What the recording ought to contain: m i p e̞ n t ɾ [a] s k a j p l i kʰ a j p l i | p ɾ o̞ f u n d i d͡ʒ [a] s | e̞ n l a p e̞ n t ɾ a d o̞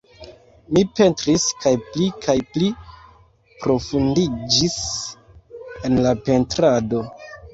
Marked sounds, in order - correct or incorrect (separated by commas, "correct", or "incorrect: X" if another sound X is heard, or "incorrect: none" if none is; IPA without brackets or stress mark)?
incorrect: i, incorrect: i